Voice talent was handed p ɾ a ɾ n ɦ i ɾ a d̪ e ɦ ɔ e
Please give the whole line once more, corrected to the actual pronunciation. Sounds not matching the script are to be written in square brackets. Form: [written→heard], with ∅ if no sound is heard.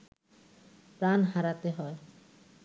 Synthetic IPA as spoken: p ɾ a [ɾ→∅] n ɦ [i→a] ɾ a [d̪→t̪] e ɦ ɔ e